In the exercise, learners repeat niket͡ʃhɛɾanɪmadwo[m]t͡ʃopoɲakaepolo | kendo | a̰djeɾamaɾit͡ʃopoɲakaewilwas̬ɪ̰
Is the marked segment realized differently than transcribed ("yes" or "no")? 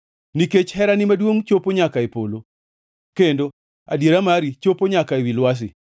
yes